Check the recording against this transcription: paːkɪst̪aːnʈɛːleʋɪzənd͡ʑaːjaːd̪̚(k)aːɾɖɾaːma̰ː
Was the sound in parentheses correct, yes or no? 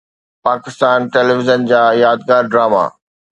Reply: no